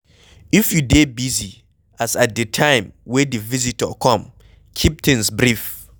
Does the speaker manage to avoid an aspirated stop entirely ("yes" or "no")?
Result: no